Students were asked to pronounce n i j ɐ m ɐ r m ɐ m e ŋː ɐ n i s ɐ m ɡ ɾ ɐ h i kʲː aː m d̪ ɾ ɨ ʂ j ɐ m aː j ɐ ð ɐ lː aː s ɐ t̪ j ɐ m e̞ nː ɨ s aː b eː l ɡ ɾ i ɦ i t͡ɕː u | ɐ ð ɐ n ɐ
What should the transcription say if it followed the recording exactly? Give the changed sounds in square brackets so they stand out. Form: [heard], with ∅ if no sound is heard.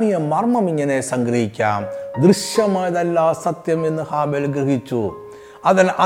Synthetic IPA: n i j ɐ m ɐ r m ɐ m [i] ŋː ɐ n [e] s ɐ [ŋ] ɡ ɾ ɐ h i kʲː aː m d̪ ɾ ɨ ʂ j ɐ m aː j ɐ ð ɐ lː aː s ɐ t̪ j ɐ m e̞ nː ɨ [h] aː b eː l ɡ ɾ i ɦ i t͡ɕː u | ɐ ð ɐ n ɐ